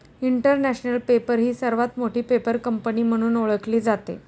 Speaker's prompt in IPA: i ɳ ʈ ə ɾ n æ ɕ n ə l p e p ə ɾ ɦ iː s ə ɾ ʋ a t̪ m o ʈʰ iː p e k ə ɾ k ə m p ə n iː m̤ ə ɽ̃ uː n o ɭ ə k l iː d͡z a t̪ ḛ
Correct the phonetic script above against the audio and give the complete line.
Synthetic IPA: i ɳ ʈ ə ɾ n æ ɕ n ə l p e p ə ɾ ɦ iː s ə ɾ ʋ a t̪ m o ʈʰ iː p e p ə ɾ k ə m p ə n iː m̤ ə ɽ̃ uː n o ɭ ə k l iː d͡z a t̪ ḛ

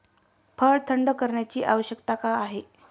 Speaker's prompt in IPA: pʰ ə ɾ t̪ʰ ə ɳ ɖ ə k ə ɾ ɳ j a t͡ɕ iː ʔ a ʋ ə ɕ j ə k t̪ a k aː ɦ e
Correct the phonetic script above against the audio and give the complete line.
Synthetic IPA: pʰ ə ɭ t̪ʰ ə ɳ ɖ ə k ə ɾ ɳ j a t͡ɕ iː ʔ a ʋ ə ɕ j ə k t̪ a k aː ɦ e

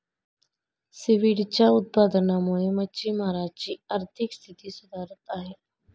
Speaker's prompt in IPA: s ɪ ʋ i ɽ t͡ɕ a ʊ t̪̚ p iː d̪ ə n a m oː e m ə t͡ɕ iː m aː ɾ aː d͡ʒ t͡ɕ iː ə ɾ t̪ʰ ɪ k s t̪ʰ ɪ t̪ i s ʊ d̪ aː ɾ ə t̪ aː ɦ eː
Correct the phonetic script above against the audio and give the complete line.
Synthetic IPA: s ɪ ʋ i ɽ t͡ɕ a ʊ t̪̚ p aː d̪ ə n a m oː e m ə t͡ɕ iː m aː ɾ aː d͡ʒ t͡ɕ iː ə ɾ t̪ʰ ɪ k s t̪ʰ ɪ t̪ i s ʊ d̪ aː ɾ ə t̪ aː ɦ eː

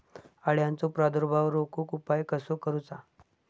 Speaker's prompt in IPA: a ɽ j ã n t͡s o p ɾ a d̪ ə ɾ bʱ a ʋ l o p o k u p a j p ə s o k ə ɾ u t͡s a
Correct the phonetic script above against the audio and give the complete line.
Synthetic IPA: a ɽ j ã n t͡s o p ɾ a d̪ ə ɾ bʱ a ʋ ɾ o k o k u p a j k ə s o k ə ɾ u t͡s a

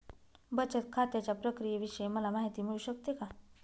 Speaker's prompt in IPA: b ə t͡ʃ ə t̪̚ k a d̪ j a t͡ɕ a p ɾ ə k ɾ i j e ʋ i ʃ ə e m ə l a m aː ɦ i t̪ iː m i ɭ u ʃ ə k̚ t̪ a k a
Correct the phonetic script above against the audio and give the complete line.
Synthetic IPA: b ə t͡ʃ ə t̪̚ kʰ a t̪ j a t͡ɕ a p ɾ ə k ɾ i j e ʋ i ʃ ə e m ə l a m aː ɦ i t̪ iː m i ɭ u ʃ ə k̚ t̪ e k a

